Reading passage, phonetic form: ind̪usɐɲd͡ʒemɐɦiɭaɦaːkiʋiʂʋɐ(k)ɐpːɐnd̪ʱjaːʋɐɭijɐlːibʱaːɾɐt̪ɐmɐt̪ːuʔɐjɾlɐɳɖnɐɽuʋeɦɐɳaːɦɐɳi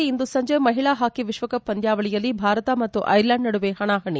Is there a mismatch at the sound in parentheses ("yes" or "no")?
no